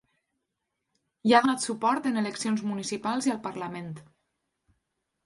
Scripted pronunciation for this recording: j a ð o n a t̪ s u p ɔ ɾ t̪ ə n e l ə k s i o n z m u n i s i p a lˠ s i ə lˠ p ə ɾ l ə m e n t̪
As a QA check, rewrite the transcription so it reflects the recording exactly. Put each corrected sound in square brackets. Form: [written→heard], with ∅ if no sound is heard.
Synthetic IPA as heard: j a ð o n a t̪ s u p ɔ ɾ t̪ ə n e l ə k s i o n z m u n i s i p a lˠ [s→z] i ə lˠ p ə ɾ l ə m e n t̪